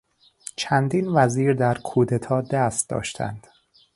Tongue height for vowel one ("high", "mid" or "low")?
low